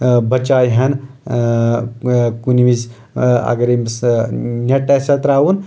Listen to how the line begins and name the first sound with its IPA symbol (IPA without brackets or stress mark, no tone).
b